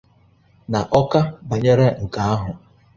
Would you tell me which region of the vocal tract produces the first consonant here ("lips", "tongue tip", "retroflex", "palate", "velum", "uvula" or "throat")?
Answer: tongue tip